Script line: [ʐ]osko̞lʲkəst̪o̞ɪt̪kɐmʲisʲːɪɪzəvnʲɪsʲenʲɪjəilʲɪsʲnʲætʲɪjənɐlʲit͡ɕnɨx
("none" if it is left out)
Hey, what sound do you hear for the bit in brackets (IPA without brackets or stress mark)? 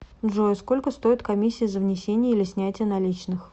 ʐ